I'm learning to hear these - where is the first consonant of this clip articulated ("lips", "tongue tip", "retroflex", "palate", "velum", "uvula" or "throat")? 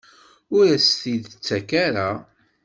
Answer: tongue tip